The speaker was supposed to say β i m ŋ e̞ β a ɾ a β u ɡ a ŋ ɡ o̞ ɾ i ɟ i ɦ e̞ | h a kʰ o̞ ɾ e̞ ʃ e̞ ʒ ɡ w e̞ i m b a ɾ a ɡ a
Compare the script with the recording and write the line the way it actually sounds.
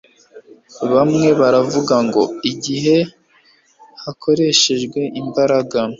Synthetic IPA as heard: β a m ŋ e̞ β a ɾ a v u ɡ a ŋ ɡ o̞ i ɟ i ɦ e̞ | h a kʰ o̞ ɾ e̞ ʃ e̞ ʒ ɡ w e̞ i m b a ɾ a ɡ a

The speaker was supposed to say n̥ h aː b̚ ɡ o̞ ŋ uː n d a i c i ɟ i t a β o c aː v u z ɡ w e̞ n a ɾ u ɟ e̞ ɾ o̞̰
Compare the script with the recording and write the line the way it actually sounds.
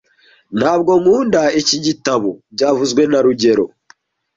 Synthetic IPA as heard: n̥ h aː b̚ ɡ o̞ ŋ uː n d a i c i ɟ i t a β o ɟ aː v u z ɡ w e̞ n a ɾ u ɟ e̞ ɾ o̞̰

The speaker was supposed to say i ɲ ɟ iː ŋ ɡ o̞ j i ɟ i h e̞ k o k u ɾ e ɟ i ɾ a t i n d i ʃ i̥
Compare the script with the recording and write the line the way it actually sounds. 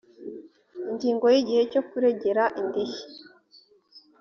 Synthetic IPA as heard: i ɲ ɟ iː ŋ ɡ o̞ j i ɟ i h e̞ c o k u ɾ e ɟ e ɾ a ʔ i n d i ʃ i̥

